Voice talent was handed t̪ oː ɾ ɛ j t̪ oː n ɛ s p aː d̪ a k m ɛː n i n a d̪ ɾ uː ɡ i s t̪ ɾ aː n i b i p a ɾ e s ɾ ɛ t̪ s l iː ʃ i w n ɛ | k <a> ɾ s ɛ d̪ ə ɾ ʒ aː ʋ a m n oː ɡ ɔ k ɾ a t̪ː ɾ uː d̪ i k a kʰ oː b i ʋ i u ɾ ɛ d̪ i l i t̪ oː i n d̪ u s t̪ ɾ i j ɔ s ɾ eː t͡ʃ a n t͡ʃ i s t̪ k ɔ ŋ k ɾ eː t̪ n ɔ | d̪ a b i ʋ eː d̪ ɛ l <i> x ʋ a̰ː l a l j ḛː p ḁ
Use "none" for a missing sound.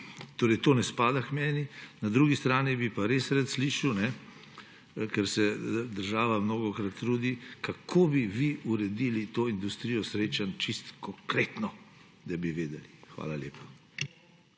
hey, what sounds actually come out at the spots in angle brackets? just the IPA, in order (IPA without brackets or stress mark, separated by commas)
ɛ, i